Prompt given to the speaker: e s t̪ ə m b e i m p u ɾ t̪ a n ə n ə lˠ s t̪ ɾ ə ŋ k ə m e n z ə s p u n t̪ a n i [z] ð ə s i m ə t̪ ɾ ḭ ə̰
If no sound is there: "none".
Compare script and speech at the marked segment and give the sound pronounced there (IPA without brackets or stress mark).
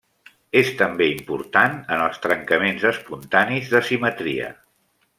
z